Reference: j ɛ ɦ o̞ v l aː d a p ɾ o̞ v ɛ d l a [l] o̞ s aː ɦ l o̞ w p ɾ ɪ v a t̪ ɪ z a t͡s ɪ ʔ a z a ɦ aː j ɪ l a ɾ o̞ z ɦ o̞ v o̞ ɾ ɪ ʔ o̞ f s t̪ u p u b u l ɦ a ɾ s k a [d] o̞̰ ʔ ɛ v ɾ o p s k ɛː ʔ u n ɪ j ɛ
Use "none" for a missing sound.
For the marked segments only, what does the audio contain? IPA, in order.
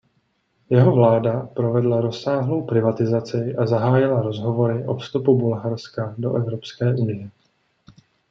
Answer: ɾ, d

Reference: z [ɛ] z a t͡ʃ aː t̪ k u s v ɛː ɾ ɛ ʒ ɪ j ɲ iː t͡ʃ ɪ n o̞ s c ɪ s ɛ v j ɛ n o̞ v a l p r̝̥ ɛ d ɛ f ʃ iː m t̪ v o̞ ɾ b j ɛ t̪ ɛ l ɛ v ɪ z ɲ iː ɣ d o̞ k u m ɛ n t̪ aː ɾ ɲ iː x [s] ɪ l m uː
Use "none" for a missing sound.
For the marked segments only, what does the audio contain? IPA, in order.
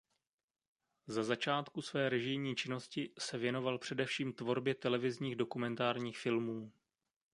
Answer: a, f

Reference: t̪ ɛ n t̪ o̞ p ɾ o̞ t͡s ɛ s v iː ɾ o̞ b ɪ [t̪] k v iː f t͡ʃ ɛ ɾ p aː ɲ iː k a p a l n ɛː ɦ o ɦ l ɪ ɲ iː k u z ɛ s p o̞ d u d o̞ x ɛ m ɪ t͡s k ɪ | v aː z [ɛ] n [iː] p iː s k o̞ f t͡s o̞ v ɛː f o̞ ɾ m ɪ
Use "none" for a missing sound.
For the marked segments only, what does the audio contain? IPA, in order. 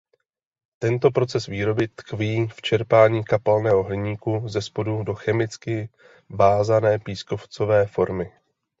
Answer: t̪, a, ɛː

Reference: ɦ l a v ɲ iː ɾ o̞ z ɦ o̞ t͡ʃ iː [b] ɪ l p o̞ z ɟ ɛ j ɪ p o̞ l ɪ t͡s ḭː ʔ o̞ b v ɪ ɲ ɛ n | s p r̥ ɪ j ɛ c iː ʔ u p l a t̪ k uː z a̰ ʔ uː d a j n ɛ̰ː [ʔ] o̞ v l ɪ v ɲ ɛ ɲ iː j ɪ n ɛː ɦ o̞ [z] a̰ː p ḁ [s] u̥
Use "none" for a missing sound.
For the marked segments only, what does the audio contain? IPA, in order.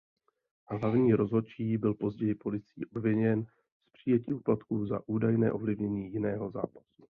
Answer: b, ʔ, z, s

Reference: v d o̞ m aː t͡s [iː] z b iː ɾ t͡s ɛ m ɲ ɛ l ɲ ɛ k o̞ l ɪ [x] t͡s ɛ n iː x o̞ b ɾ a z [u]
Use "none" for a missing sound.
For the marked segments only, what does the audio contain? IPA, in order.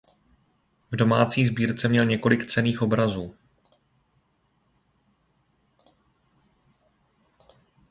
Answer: iː, k, uː

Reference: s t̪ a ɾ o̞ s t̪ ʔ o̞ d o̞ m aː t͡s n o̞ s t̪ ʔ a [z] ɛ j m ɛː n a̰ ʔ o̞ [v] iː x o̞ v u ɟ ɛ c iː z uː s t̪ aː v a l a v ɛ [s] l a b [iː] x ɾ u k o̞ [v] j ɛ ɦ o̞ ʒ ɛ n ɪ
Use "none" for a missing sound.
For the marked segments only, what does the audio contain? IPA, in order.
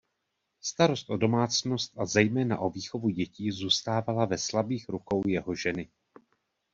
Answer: z, v, s, iː, w

